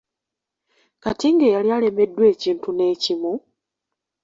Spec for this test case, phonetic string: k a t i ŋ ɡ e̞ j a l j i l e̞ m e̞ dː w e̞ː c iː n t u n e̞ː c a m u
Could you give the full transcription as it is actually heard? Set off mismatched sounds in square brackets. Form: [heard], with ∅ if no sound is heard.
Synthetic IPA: k a t i ŋ ɡ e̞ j a l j [a] l e̞ m e̞ dː w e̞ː c iː n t u n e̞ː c [i] m u